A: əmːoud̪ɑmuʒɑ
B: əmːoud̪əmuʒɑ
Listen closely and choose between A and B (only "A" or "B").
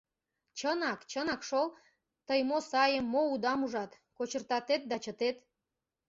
A